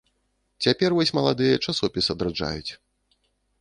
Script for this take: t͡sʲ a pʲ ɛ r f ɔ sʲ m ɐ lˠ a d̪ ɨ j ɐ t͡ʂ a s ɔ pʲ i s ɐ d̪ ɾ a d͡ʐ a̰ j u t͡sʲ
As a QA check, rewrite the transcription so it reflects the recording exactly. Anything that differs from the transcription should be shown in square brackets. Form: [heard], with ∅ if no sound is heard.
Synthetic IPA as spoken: t͡sʲ a pʲ ɛ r [v] ɔ sʲ m ɐ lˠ a d̪ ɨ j ɐ t͡ʂ a s ɔ pʲ i s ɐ d̪ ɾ a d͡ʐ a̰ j u t͡sʲ